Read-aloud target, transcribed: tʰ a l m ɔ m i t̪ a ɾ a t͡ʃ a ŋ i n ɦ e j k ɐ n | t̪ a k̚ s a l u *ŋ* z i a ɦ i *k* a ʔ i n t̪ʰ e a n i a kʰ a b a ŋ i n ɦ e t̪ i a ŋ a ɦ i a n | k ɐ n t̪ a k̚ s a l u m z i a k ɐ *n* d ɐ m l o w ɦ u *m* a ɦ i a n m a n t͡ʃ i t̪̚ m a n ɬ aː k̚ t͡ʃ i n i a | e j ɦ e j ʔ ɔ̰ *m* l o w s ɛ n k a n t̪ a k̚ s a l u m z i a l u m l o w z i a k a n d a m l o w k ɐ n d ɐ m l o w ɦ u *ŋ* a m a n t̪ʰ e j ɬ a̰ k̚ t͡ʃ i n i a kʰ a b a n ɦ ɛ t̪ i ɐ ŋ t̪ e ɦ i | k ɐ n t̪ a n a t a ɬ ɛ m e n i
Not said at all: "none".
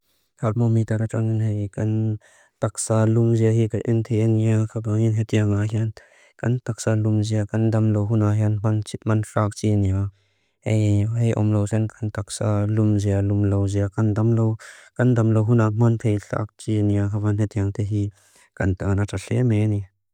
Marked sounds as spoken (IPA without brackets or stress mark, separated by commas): m, k, n, n, m, n